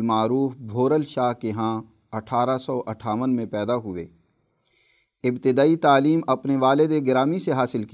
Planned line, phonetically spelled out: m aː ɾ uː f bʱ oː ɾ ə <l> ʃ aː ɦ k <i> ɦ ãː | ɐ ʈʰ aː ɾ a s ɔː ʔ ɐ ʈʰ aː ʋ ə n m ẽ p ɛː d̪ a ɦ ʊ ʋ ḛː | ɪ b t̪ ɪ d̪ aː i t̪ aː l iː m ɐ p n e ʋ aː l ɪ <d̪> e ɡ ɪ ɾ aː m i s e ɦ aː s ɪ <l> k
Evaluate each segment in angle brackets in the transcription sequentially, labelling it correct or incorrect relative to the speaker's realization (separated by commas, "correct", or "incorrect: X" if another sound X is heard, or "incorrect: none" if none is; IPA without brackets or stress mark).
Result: correct, incorrect: e, correct, correct